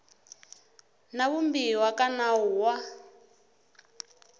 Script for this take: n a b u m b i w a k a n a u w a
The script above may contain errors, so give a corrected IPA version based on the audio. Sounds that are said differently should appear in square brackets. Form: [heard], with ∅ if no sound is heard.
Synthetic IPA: n a [β] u m b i w a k a n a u w a